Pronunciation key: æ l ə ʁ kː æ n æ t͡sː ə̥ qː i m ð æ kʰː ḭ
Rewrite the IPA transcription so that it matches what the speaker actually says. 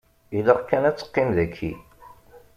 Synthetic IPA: i l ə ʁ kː æ n æ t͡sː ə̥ qː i m ð æ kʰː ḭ